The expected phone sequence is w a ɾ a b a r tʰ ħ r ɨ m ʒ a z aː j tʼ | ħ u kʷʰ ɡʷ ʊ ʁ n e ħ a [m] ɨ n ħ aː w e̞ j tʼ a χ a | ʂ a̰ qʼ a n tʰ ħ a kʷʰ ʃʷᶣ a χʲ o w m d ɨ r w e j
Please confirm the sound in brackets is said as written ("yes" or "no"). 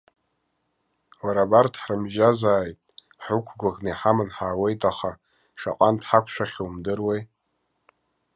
yes